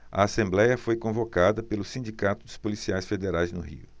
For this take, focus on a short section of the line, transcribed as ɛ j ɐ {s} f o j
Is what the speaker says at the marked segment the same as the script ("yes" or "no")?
no